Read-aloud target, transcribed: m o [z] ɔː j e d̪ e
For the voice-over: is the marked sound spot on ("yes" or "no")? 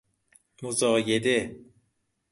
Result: yes